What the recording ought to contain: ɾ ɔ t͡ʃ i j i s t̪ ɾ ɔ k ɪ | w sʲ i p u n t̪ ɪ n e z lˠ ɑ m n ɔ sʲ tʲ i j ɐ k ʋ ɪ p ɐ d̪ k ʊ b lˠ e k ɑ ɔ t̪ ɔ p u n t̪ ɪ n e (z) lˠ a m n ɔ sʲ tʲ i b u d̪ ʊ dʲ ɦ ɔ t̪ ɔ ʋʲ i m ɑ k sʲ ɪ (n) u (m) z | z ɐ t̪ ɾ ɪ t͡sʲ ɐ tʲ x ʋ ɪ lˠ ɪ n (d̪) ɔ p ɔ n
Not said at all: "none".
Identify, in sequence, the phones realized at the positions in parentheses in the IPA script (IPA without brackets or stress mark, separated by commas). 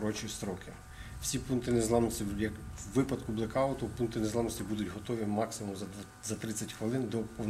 z, m, m, d̪